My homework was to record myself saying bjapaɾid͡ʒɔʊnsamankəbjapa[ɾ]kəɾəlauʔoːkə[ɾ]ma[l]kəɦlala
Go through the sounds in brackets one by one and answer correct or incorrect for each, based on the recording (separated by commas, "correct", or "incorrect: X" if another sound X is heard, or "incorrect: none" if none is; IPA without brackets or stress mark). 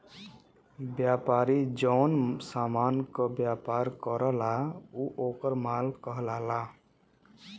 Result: correct, correct, correct